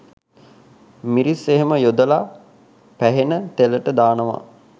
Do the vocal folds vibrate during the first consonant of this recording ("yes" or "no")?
yes